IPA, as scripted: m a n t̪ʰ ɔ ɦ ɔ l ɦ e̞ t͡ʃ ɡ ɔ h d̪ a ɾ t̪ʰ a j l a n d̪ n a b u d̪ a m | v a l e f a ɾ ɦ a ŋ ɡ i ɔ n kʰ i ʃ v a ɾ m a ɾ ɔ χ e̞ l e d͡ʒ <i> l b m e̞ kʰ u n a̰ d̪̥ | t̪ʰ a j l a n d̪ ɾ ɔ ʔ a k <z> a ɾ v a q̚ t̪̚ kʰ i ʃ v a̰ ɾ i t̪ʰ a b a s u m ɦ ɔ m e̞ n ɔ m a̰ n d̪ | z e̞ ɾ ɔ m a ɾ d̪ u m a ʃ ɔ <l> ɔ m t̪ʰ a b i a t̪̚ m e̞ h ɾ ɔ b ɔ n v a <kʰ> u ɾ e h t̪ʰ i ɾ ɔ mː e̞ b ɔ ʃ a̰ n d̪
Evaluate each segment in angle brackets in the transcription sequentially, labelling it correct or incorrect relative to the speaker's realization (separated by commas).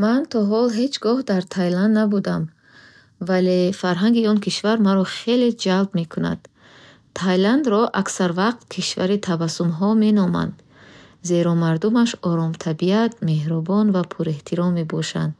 incorrect, incorrect, incorrect, incorrect